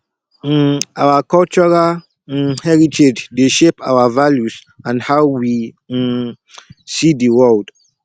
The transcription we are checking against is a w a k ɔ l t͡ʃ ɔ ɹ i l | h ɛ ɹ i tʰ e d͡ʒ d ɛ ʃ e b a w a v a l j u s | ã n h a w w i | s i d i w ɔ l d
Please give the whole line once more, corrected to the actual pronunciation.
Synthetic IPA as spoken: a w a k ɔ l t͡ʃ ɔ ɹ a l | h ɛ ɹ i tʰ e d͡ʒ d e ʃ e p a w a v a l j u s | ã n h a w w i | s i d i w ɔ l d